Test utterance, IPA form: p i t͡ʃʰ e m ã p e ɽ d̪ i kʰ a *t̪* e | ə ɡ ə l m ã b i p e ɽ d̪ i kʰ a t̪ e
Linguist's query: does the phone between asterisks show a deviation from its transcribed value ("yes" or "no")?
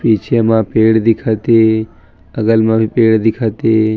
no